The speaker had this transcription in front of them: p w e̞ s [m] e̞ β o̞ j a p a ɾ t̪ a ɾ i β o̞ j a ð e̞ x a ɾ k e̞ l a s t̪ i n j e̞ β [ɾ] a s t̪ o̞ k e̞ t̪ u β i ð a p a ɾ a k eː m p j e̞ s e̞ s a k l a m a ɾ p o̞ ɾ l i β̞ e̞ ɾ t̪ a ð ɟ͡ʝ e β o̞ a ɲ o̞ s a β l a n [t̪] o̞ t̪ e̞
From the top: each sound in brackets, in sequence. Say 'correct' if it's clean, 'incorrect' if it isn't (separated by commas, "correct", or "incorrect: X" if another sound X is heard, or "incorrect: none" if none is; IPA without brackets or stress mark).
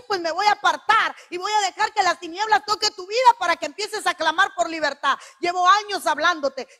correct, incorrect: l, incorrect: d̪